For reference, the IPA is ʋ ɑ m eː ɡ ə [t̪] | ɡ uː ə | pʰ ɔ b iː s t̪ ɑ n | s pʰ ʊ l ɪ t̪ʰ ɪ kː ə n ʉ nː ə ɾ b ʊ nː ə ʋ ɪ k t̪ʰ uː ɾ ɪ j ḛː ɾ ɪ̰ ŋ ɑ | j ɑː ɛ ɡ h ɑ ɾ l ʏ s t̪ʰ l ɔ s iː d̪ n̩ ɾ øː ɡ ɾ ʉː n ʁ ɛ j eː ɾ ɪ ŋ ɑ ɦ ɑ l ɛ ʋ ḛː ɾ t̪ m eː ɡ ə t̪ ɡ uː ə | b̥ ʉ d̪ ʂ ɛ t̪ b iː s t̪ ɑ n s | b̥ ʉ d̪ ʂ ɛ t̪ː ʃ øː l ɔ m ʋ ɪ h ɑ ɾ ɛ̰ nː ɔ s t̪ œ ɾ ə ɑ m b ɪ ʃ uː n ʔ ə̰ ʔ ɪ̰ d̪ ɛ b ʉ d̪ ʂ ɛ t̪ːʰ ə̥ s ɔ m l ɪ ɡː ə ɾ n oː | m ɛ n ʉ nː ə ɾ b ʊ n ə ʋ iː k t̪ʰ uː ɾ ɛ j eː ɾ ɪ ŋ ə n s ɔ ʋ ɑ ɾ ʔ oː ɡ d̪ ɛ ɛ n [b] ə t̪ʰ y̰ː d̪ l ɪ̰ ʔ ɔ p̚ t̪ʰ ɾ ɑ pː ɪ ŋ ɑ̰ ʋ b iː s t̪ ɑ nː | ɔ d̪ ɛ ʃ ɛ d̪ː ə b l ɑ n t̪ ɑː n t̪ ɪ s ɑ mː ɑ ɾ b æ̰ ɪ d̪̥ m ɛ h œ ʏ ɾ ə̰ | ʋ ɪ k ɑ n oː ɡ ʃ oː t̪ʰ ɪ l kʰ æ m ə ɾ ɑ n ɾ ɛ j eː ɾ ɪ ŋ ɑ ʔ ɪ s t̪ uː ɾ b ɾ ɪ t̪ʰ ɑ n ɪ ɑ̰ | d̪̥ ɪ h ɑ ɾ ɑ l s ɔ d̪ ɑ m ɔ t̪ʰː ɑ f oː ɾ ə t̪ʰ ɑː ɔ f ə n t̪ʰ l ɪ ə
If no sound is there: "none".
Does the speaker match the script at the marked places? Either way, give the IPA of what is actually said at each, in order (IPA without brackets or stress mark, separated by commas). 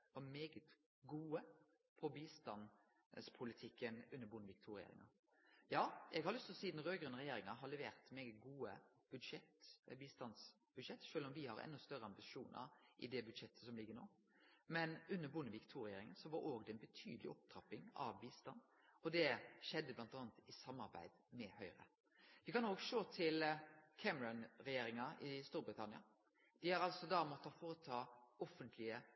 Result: t̪, b